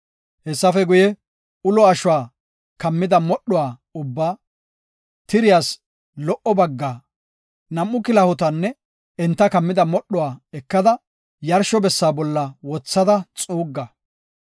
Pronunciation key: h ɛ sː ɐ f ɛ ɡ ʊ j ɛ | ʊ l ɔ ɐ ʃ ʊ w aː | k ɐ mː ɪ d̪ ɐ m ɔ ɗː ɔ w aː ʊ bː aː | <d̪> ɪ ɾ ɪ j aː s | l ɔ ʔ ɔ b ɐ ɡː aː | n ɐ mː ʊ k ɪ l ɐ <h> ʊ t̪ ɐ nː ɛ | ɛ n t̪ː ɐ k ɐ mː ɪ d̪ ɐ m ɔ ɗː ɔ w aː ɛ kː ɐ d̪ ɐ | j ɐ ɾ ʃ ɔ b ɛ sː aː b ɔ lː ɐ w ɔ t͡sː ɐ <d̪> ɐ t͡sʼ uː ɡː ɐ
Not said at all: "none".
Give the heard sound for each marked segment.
t̪, h, d̪

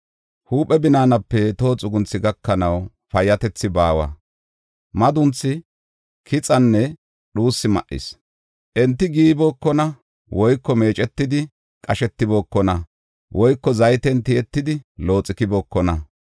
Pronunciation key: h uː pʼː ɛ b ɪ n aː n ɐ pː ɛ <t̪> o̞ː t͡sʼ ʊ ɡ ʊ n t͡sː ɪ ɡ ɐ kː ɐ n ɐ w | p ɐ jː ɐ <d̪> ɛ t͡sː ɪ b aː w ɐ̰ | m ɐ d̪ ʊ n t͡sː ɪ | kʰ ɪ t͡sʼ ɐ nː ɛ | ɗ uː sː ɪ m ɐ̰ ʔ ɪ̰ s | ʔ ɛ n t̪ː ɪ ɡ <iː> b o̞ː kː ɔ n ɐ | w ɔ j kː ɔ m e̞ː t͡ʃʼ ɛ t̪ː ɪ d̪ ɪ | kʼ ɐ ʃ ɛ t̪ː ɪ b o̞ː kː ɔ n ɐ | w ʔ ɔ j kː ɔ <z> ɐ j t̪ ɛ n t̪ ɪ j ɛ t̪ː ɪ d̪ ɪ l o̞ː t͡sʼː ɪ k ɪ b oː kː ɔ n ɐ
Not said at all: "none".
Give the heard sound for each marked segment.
t̪, t̪, iː, z

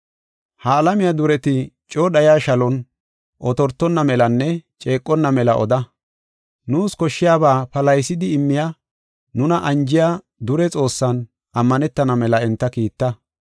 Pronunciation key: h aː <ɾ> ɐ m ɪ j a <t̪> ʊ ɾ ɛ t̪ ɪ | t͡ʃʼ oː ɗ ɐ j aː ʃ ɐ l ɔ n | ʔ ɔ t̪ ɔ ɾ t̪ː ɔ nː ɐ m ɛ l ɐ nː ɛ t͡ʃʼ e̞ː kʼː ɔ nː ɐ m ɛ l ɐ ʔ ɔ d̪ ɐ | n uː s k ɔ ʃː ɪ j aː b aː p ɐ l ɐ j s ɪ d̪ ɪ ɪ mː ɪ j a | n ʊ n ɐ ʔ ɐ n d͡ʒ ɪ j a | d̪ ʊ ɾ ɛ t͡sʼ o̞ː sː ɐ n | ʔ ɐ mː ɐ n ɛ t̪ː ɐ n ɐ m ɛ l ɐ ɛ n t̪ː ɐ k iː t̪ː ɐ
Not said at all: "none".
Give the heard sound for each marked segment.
l, d̪

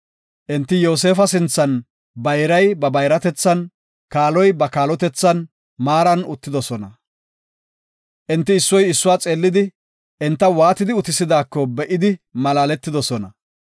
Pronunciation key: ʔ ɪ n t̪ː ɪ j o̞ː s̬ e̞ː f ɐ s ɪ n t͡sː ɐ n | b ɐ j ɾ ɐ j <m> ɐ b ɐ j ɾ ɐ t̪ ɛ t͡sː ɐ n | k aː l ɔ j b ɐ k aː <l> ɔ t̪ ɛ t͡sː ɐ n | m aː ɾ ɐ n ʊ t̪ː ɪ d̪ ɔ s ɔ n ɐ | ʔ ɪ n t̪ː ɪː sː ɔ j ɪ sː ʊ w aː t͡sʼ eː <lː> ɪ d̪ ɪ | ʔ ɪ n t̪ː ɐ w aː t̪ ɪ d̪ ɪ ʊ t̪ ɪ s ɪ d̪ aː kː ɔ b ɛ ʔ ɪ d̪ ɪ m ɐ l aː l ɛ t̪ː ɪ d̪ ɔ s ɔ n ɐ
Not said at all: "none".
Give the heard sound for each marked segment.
b, l, lː

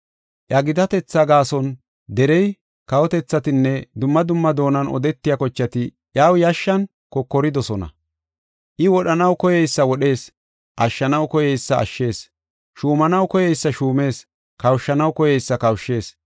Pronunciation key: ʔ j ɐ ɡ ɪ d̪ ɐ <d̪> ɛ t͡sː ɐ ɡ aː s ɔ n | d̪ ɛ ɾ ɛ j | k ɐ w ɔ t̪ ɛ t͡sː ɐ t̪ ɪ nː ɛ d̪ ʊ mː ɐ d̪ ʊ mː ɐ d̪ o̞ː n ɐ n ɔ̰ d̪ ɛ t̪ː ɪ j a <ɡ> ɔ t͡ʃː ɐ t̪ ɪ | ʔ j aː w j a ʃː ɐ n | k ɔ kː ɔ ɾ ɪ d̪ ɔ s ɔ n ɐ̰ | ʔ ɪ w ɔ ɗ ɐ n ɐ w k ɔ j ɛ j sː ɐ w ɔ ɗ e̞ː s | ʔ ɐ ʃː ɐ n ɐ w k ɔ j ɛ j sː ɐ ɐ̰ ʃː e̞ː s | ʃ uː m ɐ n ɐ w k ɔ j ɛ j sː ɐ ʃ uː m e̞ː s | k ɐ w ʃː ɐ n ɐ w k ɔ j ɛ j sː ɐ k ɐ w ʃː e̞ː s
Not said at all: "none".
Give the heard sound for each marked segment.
t̪, k

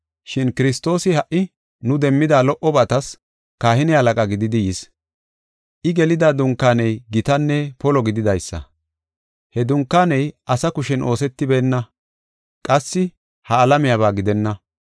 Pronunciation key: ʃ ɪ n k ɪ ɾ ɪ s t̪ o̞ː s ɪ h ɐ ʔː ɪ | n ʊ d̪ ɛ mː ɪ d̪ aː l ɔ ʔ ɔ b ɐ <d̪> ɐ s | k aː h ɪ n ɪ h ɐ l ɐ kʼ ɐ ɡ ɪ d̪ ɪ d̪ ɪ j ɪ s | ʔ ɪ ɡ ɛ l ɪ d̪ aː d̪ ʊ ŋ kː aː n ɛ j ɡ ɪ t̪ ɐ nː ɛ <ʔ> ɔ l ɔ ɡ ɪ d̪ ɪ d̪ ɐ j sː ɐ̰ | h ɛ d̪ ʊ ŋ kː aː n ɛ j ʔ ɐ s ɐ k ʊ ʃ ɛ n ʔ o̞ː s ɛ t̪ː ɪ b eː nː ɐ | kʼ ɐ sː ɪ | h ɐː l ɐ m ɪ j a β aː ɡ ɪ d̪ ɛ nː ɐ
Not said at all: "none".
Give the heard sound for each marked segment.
t̪, p

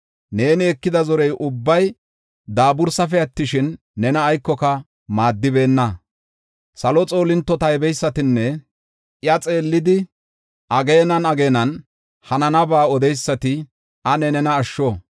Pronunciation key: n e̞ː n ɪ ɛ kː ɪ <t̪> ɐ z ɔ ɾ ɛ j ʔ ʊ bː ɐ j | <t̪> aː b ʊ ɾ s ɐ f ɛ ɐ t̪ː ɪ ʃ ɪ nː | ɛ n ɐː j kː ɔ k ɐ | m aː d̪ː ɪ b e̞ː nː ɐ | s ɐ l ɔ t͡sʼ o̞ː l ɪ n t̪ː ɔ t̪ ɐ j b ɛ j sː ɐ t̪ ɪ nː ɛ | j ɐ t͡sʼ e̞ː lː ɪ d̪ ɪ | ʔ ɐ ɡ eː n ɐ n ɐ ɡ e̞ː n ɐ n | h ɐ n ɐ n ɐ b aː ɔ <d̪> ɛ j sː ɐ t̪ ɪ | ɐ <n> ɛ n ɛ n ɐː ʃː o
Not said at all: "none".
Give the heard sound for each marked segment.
d̪, d̪, d̪, n

